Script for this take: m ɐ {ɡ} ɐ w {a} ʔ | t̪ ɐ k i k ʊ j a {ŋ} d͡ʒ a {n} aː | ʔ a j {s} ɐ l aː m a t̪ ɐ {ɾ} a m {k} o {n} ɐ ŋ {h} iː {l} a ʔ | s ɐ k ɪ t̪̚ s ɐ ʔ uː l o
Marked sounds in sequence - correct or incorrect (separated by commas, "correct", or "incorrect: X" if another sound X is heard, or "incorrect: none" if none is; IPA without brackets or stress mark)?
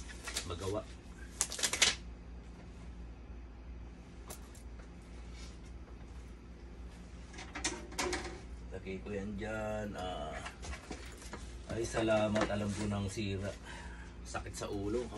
correct, correct, incorrect: n, correct, correct, incorrect: l, correct, correct, incorrect: s, incorrect: ɾ